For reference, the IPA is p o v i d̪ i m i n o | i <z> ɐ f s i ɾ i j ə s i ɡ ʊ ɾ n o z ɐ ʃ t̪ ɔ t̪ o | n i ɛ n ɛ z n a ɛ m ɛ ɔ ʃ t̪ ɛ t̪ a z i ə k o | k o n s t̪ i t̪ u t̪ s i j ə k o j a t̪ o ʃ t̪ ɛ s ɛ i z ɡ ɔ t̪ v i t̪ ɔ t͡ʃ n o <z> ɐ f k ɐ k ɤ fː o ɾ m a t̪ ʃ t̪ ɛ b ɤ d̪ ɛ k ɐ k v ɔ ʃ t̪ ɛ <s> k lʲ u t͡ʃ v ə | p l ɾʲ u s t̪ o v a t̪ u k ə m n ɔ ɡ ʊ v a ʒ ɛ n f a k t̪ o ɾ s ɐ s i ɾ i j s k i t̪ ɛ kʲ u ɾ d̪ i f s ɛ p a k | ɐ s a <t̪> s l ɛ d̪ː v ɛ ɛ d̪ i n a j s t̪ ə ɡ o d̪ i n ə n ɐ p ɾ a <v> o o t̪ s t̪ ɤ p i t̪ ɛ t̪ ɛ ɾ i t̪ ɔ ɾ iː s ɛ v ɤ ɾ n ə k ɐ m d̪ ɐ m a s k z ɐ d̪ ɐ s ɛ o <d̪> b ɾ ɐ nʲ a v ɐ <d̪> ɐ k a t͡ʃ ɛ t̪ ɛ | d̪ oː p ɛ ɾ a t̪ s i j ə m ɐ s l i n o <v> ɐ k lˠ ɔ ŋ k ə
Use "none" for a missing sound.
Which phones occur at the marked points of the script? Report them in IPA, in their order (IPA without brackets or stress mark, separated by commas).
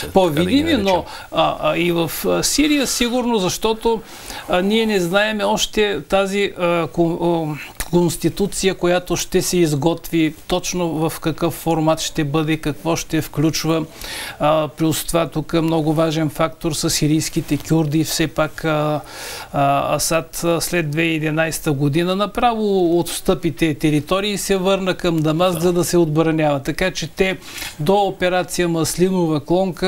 v, v, f, t̪, v, d̪, t̪, v